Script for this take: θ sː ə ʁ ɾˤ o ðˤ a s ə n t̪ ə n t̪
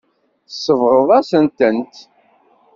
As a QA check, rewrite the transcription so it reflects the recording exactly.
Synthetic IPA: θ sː ə v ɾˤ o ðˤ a s ə n t̪ ə n t̪